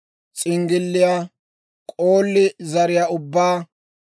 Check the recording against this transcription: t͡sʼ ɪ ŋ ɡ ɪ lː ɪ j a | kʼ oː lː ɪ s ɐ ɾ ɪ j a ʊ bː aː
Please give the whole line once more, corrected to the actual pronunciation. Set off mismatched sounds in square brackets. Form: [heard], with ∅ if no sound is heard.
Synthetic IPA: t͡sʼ ɪ ŋ ɡ ɪ lː ɪ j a | kʼ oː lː ɪ [z] ɐ ɾ ɪ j a ʊ bː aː